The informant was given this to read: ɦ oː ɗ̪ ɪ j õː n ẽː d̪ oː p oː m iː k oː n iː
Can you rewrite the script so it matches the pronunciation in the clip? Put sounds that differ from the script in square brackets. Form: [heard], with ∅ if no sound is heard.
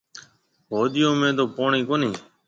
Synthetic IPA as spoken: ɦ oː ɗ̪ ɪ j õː [m] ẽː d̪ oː p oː [ɳ] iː k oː n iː